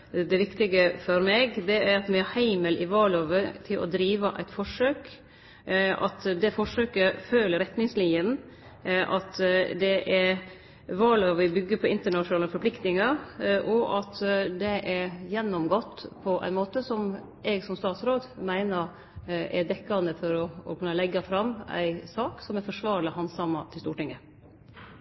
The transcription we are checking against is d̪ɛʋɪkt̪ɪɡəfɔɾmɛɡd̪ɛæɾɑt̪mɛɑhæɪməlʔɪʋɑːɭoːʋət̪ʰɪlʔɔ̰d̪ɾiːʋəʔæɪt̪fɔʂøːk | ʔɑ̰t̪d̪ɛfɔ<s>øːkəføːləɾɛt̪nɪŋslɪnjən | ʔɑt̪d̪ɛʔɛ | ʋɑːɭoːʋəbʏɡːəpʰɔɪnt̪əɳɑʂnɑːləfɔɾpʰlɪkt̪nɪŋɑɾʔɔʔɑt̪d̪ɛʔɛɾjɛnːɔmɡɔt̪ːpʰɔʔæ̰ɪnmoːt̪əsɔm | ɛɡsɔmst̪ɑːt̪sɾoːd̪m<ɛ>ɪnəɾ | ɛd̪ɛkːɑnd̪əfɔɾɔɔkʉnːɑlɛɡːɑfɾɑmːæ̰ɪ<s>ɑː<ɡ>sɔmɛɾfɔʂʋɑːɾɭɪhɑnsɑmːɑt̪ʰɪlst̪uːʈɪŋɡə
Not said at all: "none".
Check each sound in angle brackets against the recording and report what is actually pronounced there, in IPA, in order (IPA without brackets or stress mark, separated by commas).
ʂ, æ, s, k